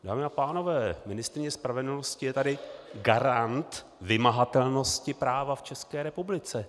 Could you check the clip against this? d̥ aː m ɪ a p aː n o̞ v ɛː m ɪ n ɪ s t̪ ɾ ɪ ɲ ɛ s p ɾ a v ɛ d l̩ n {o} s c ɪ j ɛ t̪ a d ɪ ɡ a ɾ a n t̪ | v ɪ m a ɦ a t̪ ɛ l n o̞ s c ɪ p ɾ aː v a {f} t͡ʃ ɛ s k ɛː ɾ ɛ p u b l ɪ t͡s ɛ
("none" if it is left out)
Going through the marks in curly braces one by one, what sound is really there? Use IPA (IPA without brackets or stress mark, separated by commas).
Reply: o, f